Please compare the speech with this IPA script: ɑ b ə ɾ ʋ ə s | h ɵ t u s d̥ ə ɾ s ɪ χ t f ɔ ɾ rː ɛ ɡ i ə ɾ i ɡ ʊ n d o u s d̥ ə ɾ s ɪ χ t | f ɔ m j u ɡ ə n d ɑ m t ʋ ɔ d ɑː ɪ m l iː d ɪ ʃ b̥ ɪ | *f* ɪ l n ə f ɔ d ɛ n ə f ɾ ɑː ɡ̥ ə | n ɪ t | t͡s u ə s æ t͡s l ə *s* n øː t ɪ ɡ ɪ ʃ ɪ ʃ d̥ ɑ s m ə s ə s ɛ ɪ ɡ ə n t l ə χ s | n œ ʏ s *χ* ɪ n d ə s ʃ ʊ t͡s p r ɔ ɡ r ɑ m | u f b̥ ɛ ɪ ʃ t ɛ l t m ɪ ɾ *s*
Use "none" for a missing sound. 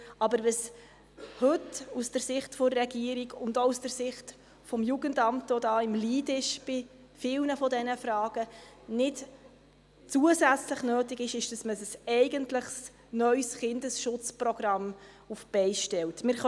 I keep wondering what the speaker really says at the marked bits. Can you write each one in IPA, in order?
f, χ, χ, χ

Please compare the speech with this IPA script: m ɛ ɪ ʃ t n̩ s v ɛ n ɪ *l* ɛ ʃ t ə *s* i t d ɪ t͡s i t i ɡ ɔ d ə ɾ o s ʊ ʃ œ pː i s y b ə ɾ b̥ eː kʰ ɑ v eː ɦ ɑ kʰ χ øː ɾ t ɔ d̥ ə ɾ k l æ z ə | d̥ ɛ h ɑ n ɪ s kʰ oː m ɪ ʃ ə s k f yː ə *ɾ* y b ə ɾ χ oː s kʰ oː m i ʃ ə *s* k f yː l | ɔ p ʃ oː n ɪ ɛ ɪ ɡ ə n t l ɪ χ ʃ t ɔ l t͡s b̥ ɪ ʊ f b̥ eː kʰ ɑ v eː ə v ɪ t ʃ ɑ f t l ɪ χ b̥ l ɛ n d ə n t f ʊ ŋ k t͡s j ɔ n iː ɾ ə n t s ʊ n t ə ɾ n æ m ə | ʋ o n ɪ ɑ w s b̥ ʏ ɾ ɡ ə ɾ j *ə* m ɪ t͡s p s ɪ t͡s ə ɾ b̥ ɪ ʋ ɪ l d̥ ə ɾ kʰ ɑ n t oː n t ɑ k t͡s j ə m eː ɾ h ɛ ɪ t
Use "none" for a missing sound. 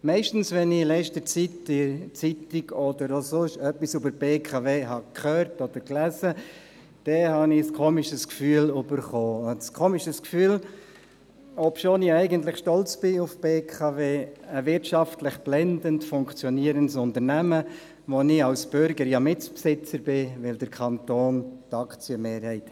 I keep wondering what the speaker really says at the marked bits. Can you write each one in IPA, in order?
l, t͡s, l, s, ɑ

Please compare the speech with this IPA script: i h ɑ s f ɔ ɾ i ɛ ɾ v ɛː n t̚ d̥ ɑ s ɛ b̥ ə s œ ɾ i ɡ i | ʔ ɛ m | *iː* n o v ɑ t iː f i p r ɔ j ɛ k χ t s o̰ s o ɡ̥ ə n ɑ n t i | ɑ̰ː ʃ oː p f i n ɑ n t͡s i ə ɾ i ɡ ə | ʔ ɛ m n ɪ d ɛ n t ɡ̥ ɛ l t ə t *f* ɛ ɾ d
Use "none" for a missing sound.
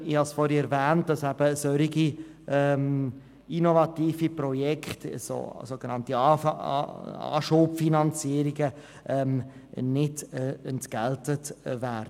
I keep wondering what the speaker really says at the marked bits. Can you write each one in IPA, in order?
i, v

